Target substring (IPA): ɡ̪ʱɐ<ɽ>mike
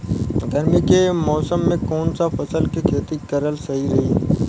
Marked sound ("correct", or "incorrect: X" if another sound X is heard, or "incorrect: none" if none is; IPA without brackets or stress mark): incorrect: ɾ